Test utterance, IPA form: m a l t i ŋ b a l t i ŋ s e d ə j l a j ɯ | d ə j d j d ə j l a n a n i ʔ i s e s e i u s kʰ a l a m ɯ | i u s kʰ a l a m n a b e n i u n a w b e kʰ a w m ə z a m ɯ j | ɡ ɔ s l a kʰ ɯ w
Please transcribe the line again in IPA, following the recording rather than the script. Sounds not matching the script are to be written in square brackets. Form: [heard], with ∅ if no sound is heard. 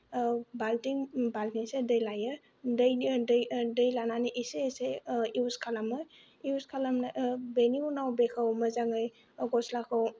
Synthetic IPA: [b] a l t i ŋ b a l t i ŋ s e d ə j l a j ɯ | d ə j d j d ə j l a n a n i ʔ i s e s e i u s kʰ a l a m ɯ | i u s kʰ a l a m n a b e n i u n a w b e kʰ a w m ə z a [ŋ] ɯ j | ɡ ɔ s l a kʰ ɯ w